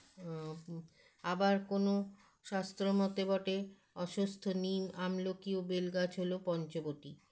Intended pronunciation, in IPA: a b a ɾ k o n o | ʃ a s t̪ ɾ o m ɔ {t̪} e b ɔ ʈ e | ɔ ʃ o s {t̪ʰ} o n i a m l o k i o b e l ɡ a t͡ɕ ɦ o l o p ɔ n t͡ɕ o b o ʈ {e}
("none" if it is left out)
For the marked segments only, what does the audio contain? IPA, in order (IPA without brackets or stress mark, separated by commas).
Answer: t̪, t̪ʰ, i